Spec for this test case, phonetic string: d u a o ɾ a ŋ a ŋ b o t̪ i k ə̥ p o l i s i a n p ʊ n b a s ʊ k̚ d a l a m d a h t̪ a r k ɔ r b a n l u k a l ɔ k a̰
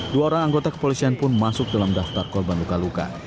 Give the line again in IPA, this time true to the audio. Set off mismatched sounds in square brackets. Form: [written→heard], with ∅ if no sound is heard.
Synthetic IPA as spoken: d u a o ɾ a ŋ a ŋ [b→ɡ] o t̪ [i→a] k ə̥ p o l i s i a n p ʊ n [b→m] a s ʊ k̚ d a l a m d a [h→f] t̪ a r k ɔ r b a n l u k a l [ɔ→u] k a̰